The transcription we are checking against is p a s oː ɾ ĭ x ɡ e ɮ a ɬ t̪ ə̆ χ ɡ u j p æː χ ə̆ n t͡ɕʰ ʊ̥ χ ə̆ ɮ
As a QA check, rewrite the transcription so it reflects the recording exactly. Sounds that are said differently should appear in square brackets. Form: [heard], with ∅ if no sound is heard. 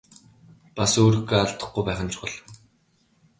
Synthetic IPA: p a s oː ɾ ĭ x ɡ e [∅] a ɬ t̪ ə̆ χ ɡ u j p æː χ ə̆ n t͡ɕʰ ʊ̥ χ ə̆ ɮ

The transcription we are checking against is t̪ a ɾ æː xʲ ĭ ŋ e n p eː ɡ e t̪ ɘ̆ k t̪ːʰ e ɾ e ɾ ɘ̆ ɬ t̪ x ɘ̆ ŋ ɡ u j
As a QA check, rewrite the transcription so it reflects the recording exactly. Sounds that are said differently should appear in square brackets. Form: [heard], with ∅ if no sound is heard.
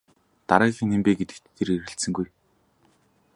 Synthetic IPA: t̪ a ɾ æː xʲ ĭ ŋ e [m] p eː ɡ e t̪ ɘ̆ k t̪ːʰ e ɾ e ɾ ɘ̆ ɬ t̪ [s] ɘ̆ ŋ ɡ u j

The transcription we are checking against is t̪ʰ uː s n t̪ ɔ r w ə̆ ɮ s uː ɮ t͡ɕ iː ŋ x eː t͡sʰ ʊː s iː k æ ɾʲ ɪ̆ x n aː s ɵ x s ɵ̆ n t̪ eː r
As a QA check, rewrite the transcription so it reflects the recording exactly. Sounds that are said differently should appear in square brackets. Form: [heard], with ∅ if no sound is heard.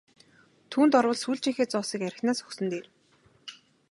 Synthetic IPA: t̪ʰ uː [∅] n t̪ ɔ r w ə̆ ɮ s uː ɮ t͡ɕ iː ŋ x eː [t͡s] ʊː s iː k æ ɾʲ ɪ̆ x n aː s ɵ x s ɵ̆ n t̪ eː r

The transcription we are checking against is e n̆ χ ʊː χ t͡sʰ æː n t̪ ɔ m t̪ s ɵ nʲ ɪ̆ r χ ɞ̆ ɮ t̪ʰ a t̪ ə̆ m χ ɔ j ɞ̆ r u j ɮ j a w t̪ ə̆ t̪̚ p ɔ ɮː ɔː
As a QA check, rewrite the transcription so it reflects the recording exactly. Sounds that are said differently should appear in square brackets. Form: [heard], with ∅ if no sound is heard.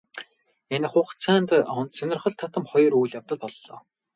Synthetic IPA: e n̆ χ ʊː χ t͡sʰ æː n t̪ ɔ [n] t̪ s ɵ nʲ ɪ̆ r χ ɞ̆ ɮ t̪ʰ a t̪ ə̆ m χ ɔ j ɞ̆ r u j ɮ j a w t̪ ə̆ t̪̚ p ɔ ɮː ɔː

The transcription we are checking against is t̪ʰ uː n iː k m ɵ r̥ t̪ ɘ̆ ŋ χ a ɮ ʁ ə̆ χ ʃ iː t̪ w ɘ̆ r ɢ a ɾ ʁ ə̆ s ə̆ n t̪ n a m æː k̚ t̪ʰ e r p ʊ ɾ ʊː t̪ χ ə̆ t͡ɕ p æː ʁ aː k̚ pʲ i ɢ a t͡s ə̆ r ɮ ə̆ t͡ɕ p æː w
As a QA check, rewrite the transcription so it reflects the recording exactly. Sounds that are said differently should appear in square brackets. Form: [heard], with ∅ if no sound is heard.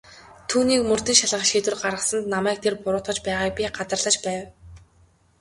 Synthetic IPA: t̪ʰ uː n iː k m ɵ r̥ t̪ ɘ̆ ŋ [ʃ] a ɮ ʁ ə̆ χ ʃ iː t̪ w ɘ̆ r ɢ a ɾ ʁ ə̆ s ə̆ n t̪ n a m æː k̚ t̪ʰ e r p ʊ ɾ ʊː t̪ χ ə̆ t͡ɕ p æː ʁ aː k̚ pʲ i ɢ a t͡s ə̆ r ɮ ə̆ t͡ɕ p æː w

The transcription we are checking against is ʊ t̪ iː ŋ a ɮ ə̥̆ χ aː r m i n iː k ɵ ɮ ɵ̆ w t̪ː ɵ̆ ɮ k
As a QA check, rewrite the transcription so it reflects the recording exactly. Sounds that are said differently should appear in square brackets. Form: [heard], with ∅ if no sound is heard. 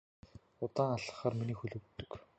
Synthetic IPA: ʊ t̪ [aː] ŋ a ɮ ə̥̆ χ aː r m i n iː [x] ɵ ɮ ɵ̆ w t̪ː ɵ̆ [∅] k

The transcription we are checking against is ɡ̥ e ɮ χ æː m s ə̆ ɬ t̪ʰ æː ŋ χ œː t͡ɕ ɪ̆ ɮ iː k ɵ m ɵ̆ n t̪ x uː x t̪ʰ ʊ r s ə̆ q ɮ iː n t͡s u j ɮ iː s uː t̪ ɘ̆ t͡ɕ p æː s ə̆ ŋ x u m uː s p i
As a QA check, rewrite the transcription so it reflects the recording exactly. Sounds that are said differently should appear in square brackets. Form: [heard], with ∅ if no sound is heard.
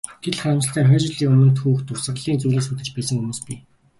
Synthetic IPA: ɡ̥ e ɮ χ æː m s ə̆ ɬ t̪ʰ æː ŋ χ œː t͡ɕ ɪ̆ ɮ iː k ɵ m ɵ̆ n t̪ x uː x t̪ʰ ʊ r s ə̆ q ɮ iː n t͡s u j ɮ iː s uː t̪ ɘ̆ t͡ɕ p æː s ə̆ ŋ x u m uː s p i

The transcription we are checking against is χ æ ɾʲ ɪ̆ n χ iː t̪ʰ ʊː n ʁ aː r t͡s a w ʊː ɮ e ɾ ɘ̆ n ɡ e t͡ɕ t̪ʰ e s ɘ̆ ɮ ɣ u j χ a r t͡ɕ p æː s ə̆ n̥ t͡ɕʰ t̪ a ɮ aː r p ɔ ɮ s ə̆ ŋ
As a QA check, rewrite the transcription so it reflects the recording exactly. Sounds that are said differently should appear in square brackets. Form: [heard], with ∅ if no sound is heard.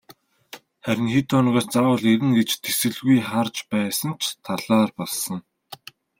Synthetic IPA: χ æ ɾʲ ɪ̆ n [x] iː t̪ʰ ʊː n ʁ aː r t͡s a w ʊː ɮ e ɾ ɘ̆ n ɡ e t͡ɕ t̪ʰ e s ɘ̆ ɮ ɣ u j χ a r t͡ɕ p æː s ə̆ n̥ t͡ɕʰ [t̪ʰ] a ɮ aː r p ɔ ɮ s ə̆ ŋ

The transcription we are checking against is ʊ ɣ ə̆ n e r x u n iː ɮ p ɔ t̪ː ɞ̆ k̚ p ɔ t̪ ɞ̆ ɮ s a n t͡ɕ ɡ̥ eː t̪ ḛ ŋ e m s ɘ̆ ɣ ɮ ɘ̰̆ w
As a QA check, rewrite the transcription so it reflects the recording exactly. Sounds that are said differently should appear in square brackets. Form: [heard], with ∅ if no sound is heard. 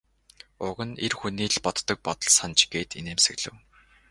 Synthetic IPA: ʊ ɣ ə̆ n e r x u n iː ɮ p ɔ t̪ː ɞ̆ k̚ p ɔ t̪ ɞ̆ ɮ s a n t͡ɕ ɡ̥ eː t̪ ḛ [n] e m s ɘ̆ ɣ ɮ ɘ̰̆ w

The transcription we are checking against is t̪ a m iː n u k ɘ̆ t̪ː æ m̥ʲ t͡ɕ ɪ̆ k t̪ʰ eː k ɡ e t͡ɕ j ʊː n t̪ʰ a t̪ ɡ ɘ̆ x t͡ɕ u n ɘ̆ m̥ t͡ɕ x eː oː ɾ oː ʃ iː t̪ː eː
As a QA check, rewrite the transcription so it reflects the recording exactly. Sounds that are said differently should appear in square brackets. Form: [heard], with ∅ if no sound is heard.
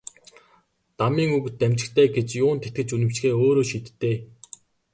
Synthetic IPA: t̪ a m iː [ŋ] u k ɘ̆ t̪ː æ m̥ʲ t͡ɕ ɪ̆ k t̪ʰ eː [∅] ɡ e t͡ɕ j ʊː n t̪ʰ [e] t̪ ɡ ɘ̆ [∅] t͡ɕ u n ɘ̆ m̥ t͡ɕ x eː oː ɾ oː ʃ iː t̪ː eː

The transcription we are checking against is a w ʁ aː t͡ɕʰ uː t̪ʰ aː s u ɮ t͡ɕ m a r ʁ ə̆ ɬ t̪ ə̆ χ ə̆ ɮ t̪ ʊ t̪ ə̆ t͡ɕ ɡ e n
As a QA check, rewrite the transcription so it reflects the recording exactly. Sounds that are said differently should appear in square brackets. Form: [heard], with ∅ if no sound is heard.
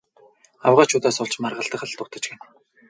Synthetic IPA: a w ʁ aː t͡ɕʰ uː [t̪] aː s [ʊ] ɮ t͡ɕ m a r ʁ ə̆ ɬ t̪ ə̆ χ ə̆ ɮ t̪ ʊ t̪ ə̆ t͡ɕ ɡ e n

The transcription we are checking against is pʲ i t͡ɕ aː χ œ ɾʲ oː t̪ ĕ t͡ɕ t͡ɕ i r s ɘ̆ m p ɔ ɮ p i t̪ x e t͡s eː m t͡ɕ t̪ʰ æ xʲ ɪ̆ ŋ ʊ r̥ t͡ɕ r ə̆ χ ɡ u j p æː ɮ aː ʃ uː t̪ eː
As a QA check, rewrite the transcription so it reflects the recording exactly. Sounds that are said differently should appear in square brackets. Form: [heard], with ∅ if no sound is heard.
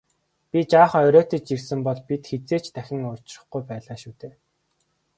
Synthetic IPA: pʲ i t͡ɕ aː χ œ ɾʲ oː t̪ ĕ t͡ɕ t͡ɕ i r s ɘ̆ m p ɔ ɮ p i t̪ x e t͡s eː [∅] t͡ɕ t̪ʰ æ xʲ ɪ̆ ŋ ʊ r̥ t͡ɕ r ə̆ χ ɡ u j p æː ɮ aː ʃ uː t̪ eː

